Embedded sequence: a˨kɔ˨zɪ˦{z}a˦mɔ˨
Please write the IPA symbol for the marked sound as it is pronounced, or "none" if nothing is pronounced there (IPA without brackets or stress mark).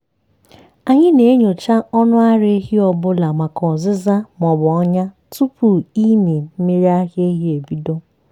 z